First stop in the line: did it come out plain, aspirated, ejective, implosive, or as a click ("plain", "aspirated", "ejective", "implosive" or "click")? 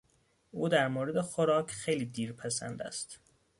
plain